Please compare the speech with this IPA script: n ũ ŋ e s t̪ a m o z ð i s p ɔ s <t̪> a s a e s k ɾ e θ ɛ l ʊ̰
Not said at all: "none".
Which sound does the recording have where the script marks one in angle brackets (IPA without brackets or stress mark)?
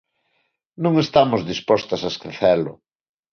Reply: t̪